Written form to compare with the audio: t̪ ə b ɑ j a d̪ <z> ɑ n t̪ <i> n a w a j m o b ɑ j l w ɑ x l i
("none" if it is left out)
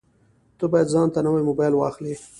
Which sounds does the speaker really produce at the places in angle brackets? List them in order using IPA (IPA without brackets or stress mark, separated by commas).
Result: z, a